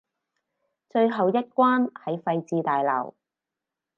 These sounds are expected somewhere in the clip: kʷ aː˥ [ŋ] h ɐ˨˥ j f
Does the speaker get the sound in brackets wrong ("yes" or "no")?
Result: yes